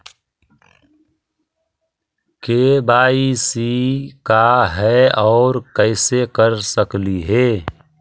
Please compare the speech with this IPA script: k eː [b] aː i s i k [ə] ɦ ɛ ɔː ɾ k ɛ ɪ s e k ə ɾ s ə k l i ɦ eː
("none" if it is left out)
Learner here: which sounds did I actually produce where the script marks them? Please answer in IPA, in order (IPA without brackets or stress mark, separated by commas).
b, a